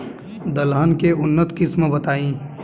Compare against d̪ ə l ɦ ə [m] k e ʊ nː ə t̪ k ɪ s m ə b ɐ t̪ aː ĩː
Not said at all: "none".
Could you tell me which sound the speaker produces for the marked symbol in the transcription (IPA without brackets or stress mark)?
n